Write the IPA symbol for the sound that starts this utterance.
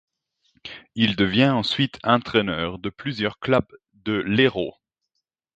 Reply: i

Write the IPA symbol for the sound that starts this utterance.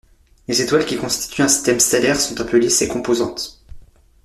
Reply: l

